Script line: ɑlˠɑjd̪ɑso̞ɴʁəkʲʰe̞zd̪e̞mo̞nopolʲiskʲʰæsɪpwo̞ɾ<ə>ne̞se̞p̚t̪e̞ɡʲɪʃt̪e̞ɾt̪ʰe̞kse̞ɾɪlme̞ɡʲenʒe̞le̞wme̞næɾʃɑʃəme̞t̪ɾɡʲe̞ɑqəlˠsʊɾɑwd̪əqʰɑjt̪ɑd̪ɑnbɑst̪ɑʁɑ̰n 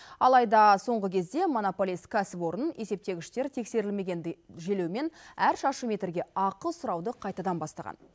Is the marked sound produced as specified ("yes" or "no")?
yes